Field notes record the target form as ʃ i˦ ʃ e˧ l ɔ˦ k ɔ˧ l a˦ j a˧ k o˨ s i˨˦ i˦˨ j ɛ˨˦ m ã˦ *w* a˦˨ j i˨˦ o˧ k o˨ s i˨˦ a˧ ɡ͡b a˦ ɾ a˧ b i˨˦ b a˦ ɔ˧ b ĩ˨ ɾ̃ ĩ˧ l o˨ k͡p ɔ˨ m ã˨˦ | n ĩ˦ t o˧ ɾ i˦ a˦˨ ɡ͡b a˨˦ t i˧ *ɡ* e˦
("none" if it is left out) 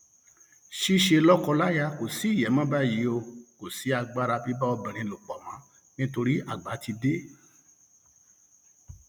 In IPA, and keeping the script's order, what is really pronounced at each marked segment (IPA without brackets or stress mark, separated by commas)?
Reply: b, d